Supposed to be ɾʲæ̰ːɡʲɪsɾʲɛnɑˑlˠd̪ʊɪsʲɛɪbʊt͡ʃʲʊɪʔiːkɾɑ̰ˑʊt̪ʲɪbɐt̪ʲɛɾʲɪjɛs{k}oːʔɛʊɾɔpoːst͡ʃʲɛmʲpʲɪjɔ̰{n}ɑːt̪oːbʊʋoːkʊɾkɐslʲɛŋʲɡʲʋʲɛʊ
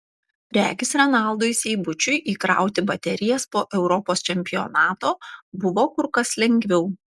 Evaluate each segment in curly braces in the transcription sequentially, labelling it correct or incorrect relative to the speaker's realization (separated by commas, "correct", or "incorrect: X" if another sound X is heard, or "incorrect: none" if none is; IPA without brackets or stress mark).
incorrect: p, correct